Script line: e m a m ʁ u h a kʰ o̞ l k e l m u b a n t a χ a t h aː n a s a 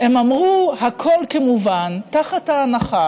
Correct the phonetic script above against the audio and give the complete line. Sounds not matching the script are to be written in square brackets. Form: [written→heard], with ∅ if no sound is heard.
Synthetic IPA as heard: e m a m ʁ u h a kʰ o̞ l k e [l→∅] m u [b→v] a n t a χ a t h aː n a [s→χ] a